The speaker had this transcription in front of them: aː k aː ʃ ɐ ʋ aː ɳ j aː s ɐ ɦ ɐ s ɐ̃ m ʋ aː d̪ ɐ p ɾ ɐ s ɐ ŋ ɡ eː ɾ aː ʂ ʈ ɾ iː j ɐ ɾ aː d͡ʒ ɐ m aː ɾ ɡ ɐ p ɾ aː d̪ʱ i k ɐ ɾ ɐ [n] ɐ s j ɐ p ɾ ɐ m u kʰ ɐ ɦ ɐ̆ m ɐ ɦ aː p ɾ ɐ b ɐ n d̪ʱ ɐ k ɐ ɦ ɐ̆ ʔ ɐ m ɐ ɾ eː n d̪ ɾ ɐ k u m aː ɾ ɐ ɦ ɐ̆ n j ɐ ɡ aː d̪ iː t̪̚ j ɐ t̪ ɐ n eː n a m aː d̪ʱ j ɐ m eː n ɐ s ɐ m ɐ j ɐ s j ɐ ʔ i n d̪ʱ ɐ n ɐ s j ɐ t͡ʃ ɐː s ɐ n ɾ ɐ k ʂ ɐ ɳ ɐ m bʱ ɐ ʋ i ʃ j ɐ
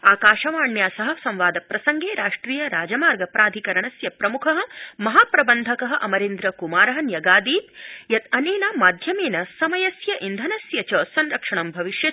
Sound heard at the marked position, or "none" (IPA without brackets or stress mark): ɳ